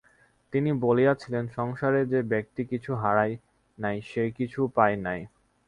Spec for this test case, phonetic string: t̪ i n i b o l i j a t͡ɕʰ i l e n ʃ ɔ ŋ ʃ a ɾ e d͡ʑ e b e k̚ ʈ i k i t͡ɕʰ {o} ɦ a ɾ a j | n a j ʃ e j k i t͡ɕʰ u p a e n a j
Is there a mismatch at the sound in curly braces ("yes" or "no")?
yes